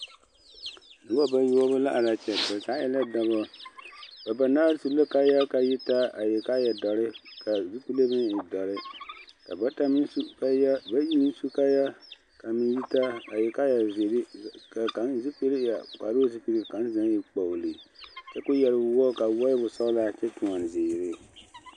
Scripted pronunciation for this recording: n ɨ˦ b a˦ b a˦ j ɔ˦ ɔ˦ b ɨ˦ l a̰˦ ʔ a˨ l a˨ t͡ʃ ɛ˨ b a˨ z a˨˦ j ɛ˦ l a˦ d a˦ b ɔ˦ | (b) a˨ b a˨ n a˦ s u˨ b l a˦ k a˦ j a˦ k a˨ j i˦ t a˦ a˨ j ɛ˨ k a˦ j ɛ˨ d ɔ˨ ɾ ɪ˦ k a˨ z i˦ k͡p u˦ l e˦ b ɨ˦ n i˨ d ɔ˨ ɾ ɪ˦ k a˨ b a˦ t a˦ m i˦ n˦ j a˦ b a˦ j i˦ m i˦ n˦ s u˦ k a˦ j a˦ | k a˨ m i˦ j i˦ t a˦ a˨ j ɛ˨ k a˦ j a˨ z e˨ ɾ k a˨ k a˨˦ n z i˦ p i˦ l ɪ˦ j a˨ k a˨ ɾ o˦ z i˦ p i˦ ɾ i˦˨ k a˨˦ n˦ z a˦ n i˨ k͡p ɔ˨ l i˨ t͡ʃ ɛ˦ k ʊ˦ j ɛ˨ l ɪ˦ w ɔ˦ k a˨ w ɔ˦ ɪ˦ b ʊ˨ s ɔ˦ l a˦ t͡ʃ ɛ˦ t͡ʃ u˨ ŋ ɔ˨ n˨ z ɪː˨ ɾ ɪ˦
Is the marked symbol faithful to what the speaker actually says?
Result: yes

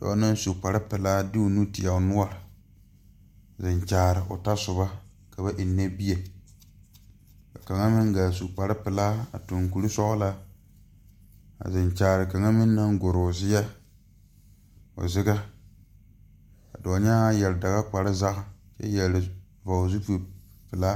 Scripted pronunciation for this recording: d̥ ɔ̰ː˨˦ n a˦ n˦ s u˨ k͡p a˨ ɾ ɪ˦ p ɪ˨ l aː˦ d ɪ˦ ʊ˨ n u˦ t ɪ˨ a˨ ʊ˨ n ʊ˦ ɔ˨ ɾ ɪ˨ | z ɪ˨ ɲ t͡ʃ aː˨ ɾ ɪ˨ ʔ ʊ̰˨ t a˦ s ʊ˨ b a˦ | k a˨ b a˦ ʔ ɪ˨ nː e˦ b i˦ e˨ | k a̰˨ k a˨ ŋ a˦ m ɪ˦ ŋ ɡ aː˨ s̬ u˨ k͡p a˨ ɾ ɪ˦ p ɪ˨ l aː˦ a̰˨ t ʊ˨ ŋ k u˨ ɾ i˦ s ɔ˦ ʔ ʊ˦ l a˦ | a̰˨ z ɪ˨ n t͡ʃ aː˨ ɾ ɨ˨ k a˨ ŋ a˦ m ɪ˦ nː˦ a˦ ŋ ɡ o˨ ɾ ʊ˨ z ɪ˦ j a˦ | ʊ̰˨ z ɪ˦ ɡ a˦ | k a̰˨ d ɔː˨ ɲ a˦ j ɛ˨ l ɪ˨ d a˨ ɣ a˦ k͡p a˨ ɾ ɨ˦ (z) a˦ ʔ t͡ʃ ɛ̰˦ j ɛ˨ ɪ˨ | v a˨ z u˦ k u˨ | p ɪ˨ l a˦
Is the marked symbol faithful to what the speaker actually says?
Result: yes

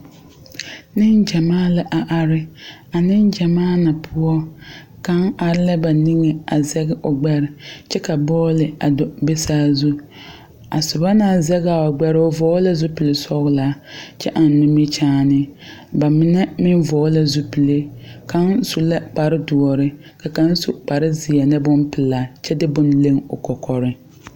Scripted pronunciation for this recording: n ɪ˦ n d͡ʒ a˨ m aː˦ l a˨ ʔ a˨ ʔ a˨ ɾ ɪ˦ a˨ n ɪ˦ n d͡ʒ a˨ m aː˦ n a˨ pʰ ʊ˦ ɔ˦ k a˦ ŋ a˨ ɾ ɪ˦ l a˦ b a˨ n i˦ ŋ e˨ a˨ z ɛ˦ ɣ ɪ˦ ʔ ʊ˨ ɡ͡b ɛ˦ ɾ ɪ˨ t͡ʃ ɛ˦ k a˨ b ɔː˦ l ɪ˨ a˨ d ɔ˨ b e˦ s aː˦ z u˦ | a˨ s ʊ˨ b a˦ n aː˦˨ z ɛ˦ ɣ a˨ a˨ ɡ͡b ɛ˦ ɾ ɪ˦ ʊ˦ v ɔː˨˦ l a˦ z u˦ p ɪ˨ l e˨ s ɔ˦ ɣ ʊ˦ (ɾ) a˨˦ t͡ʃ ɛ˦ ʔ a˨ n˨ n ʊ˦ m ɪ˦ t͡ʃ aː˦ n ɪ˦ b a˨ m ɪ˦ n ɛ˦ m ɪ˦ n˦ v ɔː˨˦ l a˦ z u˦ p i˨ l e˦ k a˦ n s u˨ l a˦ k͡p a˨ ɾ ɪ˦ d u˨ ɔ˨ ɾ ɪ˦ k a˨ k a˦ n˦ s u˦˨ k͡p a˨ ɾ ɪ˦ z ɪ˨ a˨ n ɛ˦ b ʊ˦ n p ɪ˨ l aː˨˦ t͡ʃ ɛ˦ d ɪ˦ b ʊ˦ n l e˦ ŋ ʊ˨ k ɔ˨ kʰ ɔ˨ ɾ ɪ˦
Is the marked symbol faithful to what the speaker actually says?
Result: no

